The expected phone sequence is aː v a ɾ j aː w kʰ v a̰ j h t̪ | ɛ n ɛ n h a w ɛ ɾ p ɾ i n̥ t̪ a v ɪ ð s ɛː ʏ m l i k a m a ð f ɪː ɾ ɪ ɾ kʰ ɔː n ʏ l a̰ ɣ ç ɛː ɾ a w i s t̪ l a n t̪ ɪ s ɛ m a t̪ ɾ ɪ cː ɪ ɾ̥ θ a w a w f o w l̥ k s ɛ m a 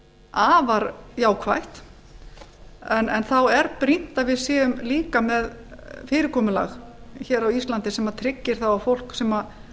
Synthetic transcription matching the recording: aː v a ɾ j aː w kʰ v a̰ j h t̪ | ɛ n ɛ n θ a w ɛ ɾ p ɾ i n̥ t̪ a v ɪ ð s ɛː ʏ m l iː k a m ɛ ð f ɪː ɾ ɪ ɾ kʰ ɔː m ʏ l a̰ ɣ ç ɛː ɾ a w i s t̪ l a n t̪ ɪ s ɛ m a t̪ʰ ɾ ɪ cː ɪ ɾ̥ θ a w a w f o w l̥ k s ɛ m a